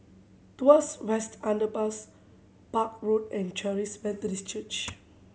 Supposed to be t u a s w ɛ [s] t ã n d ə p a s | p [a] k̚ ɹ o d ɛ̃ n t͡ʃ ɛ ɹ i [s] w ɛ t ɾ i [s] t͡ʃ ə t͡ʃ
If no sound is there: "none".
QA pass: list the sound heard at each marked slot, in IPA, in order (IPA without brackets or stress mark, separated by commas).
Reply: s, a, s, s